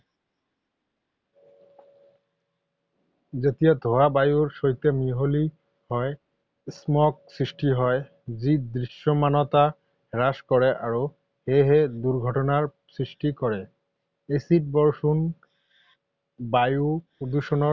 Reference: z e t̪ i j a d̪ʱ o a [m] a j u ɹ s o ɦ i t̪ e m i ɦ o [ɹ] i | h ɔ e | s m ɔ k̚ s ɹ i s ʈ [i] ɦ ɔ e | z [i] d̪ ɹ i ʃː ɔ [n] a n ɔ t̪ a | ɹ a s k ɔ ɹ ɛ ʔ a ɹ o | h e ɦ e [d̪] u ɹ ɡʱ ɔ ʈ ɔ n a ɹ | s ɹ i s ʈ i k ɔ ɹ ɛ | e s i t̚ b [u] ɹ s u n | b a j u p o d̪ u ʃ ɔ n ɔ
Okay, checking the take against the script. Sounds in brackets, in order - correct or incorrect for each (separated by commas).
incorrect, incorrect, correct, correct, incorrect, correct, incorrect